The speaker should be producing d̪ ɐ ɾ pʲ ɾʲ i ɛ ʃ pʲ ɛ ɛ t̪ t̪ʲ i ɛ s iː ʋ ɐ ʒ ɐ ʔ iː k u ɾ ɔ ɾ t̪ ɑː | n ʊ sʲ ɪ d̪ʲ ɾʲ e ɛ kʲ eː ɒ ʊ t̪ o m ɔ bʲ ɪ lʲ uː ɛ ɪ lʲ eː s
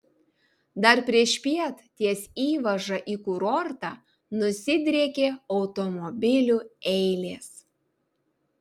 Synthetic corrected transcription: d̪ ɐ ɾ pʲ ɾʲ i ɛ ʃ pʲ i ɛ t̪ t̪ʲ i ɛ s iː ʋ ɐ ʒ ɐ ʔ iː k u ɾ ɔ ɾ t̪ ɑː | n ʊ sʲ ɪ d̪ʲ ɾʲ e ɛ kʲ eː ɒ ʊ t̪ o m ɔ bʲ ɪ lʲ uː ɛ ɪ lʲ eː s